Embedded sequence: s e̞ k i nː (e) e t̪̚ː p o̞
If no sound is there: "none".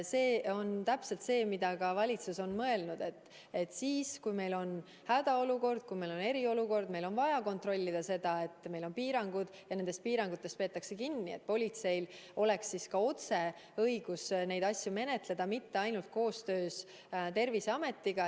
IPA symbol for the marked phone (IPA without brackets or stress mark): i